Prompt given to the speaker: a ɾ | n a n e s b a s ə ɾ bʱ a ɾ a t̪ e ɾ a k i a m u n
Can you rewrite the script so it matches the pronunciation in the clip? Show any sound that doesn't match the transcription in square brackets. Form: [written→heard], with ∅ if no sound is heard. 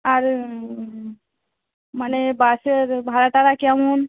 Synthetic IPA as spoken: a ɾ | [n→m] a n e [s→∅] b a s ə ɾ bʱ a ɾ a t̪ [e→a] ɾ a k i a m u n